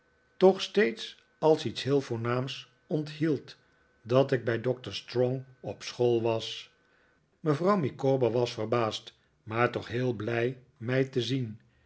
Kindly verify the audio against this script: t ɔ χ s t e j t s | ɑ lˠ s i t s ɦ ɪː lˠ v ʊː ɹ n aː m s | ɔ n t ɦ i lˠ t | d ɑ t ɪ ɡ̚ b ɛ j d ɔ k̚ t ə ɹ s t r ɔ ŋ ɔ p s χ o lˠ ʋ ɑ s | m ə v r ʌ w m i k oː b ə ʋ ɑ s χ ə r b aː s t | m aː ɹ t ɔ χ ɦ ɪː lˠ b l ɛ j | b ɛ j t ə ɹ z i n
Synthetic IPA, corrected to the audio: t ɔ χ s t e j t s | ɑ lˠ s i t s ɦ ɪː lˠ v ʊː ɹ n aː m s | ɔ n t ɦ i lˠ t | d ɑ t ɪ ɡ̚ b ɛ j d ɔ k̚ t ə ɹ s t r ɔ ŋ ɔ p s χ o lˠ ʋ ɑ s | m ə v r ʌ w m i k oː b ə ʋ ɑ s f ə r b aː s t | m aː ɹ t ɔ χ ɦ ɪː lˠ b l ɛ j | m ɛ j t ə z i n